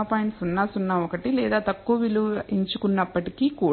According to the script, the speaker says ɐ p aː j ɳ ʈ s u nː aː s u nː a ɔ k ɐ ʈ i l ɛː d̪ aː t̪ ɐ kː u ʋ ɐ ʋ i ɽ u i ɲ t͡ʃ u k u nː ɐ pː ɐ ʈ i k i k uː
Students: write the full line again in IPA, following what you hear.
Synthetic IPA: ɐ p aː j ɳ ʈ s u nː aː s u nː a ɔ k ɐ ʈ i l ɛː d̪ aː t̪ ɐ kː u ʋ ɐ ʋ i l u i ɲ t͡ʃ u k u nː ɐ pː ɐ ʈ i k i k uː